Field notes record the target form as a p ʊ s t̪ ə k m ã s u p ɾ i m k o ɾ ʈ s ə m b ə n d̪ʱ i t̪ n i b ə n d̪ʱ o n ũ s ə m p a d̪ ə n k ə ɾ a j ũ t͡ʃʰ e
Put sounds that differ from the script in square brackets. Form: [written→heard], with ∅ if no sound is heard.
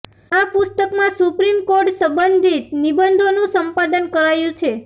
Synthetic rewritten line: a p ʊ s t̪ ə k m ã s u p ɾ i m k o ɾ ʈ s ə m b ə n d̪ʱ i t̪ n i b ə n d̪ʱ o n ũ s ə m p a d̪ ə n k ə ɾ a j ũ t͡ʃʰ e